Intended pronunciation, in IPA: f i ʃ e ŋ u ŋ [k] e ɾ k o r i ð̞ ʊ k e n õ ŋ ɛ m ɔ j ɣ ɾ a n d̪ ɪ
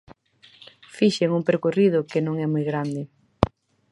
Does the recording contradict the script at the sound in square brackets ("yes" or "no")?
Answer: yes